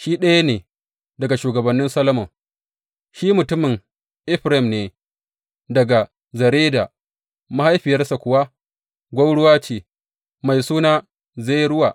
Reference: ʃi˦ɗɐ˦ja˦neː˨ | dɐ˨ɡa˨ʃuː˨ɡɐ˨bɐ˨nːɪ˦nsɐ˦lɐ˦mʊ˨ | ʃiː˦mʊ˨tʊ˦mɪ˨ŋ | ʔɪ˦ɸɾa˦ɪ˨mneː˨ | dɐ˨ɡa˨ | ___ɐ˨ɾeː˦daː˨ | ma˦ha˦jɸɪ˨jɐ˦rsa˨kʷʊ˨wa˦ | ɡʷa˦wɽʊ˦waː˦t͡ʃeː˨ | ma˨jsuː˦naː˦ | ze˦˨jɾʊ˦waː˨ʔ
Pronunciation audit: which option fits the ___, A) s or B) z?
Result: B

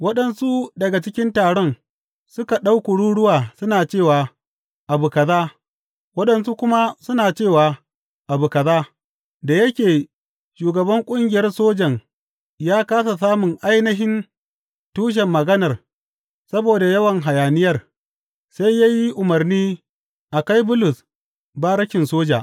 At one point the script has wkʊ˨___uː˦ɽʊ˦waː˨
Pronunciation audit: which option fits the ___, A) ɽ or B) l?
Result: A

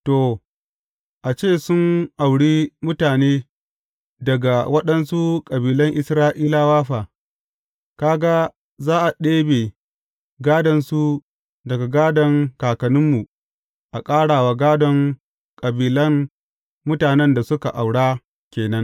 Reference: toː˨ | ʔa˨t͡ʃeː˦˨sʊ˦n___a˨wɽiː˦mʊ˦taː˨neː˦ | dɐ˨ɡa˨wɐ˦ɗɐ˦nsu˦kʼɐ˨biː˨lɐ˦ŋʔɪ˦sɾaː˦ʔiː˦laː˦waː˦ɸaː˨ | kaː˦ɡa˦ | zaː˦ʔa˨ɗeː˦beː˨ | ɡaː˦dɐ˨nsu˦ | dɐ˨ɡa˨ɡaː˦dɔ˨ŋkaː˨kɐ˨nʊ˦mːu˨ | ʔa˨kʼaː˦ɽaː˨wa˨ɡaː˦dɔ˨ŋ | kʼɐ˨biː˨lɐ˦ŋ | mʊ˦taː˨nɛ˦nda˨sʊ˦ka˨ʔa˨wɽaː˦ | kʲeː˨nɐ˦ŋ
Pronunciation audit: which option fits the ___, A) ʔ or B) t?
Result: A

